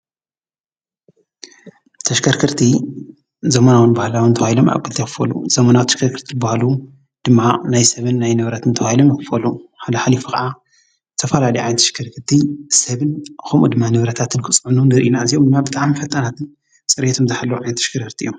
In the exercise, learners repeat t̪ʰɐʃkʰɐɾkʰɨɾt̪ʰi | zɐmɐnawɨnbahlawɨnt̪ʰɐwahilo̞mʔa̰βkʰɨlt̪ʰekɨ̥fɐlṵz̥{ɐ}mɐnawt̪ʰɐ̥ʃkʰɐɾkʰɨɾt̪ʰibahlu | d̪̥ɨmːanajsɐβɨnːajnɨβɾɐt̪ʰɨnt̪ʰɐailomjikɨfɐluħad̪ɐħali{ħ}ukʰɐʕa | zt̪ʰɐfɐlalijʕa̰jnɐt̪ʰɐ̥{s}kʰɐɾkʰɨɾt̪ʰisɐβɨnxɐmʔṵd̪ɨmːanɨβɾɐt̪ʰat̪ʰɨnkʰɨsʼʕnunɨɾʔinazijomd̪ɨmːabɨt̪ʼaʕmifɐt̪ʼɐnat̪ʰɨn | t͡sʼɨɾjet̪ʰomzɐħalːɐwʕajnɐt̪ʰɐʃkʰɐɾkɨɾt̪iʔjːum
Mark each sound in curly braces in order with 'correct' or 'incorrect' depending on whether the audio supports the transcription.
correct, incorrect: f, incorrect: ʃ

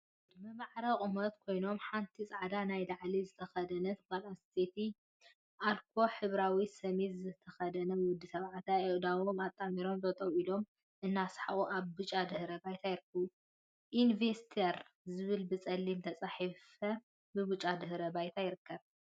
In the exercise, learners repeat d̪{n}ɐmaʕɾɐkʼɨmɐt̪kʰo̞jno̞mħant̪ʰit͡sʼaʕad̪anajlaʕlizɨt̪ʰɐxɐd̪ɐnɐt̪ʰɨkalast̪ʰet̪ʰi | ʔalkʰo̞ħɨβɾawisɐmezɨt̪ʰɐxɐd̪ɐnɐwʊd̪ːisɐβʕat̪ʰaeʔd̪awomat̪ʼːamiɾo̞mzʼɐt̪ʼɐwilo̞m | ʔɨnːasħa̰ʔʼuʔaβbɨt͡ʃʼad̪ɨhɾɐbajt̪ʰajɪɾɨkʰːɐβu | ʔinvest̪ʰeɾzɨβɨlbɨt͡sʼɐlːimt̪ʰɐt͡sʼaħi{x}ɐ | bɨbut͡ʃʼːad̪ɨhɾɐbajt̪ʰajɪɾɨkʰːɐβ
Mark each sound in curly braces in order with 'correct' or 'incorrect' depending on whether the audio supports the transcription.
incorrect: m, incorrect: f

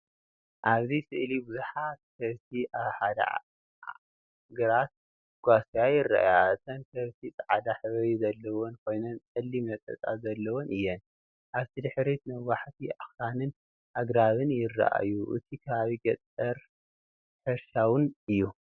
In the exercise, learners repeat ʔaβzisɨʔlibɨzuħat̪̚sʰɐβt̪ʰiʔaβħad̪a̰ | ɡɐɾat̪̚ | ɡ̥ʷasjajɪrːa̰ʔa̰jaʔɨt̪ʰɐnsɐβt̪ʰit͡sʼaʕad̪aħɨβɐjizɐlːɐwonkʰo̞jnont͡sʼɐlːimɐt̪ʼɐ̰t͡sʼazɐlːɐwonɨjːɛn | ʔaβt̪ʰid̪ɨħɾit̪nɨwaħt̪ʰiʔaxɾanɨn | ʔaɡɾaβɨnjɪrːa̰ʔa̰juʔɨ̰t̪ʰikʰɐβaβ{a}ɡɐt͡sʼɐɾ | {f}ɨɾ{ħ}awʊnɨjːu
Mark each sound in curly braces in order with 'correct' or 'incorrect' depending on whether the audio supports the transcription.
incorrect: i, incorrect: ħ, incorrect: ʃ

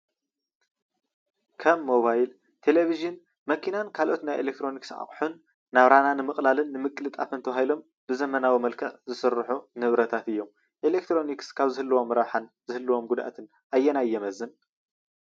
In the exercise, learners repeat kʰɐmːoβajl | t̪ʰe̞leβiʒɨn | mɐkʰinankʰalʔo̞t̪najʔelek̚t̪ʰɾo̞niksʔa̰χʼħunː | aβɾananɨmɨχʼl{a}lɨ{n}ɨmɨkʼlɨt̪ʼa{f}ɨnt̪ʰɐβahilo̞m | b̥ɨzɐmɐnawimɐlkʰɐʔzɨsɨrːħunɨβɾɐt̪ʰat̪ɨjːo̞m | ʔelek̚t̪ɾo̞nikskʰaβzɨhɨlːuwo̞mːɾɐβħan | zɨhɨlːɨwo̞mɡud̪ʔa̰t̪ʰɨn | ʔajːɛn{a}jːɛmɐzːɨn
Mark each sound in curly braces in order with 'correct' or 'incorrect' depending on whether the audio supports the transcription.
correct, incorrect: nː, correct, correct

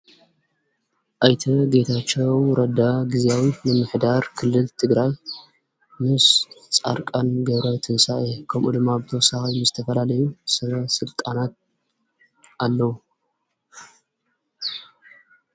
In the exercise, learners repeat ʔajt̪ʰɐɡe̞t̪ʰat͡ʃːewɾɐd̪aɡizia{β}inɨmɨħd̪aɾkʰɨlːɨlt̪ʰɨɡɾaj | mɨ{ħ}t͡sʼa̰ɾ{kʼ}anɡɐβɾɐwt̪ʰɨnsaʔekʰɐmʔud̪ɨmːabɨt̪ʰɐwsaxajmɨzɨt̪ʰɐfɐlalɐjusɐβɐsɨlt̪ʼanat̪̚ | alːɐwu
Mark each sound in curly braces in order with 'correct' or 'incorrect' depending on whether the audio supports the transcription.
incorrect: w, incorrect: s, correct

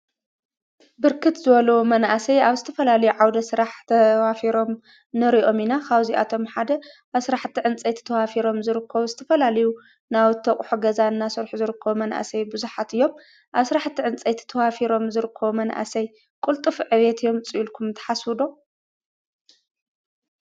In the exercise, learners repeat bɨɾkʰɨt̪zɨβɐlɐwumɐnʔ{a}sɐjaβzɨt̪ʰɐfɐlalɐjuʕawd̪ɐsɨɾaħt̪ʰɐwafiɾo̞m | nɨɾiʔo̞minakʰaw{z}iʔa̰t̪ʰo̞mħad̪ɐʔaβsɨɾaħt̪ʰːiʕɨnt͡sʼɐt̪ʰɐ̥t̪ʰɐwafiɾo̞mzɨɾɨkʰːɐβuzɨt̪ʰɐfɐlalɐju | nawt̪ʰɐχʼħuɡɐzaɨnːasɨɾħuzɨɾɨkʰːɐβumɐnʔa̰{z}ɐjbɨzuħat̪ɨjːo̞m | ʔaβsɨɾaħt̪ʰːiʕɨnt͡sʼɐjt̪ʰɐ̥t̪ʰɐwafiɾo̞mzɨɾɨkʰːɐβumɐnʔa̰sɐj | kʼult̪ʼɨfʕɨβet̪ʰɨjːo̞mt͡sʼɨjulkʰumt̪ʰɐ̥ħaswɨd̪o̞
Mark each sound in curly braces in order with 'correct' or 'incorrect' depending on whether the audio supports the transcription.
correct, correct, incorrect: s

